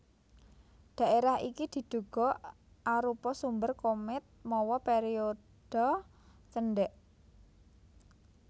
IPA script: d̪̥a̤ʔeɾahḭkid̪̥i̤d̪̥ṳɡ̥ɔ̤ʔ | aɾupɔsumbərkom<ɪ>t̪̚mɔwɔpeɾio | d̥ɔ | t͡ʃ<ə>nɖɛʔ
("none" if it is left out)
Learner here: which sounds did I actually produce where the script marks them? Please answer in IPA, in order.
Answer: ɪ, ə

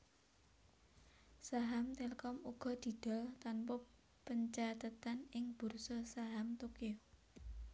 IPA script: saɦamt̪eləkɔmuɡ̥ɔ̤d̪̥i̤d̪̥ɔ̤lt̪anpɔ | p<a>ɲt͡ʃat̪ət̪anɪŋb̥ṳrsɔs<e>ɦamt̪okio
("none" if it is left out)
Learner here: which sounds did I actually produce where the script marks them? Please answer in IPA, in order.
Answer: ə, a

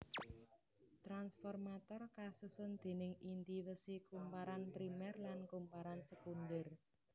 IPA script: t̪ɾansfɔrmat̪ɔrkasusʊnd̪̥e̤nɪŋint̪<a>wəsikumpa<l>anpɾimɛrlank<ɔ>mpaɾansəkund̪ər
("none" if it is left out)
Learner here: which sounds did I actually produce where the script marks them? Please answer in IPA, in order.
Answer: i, ɾ, u

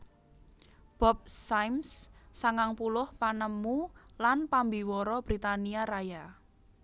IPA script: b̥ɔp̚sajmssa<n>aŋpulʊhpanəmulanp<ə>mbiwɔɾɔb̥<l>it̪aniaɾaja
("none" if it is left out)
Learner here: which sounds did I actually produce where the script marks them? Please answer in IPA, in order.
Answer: ŋ, a, ɾ

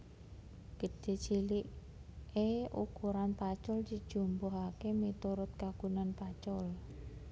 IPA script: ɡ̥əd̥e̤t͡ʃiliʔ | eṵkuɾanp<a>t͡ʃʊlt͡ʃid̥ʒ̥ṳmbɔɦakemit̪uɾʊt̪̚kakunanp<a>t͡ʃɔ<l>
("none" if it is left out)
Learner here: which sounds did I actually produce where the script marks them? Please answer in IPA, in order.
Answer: a, a, l

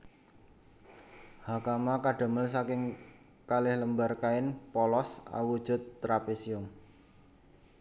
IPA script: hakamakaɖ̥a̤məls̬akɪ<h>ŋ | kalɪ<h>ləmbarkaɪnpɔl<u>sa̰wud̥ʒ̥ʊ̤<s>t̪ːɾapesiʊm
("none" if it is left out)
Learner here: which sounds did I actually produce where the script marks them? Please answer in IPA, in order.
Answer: none, h, ɔ, none

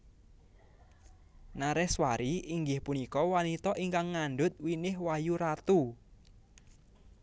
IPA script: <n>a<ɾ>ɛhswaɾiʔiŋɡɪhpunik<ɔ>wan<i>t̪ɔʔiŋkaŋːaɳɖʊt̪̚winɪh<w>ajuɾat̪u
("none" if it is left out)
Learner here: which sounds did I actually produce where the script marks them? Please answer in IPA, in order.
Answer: n, ɾ, ɔ, i, w

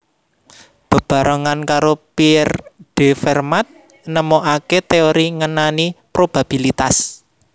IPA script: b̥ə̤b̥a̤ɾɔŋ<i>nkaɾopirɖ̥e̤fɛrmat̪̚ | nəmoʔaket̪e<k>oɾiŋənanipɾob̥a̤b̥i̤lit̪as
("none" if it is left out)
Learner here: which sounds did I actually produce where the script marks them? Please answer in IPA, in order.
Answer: a, none

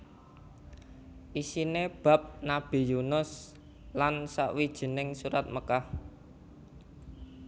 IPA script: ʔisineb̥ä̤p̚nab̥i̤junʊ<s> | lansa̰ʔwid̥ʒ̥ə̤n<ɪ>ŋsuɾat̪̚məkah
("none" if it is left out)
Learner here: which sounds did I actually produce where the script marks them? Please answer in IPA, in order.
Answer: s, ɪ

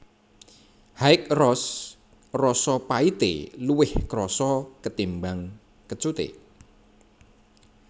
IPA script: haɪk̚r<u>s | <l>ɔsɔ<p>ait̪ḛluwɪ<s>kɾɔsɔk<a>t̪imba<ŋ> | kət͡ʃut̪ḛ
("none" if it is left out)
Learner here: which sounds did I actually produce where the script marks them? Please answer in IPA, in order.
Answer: ɔ, r, p, h, ə, ŋ

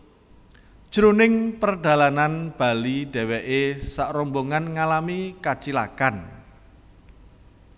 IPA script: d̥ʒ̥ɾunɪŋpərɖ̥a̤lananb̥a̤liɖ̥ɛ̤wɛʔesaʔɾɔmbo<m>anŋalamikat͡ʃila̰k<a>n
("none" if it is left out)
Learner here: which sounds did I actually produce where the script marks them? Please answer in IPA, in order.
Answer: ŋ, a

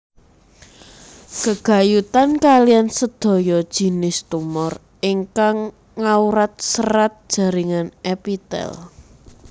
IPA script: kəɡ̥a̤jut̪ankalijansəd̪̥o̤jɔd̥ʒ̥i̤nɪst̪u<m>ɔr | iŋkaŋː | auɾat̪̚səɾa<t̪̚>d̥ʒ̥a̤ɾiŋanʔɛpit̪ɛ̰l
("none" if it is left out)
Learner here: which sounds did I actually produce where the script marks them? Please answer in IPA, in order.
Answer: m, t̪̚

